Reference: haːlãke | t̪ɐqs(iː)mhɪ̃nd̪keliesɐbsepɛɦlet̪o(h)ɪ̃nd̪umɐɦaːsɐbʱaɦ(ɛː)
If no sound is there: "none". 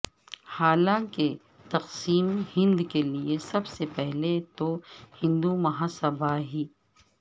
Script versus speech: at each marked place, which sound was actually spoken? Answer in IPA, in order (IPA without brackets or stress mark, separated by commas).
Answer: iː, h, iː